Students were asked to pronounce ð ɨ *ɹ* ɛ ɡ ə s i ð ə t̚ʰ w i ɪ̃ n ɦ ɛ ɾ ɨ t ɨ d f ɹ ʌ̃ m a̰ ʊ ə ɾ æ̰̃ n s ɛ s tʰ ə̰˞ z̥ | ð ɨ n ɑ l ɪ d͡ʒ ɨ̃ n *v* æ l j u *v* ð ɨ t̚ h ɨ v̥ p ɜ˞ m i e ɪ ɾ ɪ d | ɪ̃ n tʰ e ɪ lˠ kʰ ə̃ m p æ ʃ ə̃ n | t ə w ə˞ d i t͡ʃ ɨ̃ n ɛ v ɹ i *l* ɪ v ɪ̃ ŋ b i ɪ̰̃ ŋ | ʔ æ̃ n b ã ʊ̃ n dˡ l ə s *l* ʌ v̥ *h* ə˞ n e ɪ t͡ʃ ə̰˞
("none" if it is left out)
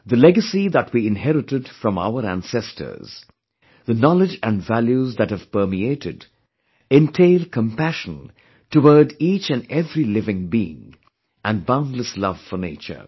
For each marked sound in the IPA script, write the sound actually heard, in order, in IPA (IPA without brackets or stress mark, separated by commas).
l, v, z, l, l, f